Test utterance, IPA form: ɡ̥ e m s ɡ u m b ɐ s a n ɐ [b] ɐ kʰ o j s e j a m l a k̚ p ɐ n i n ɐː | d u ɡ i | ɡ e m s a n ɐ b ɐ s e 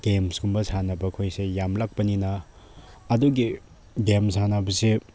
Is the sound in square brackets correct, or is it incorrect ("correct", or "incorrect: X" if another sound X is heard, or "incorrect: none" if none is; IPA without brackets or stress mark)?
correct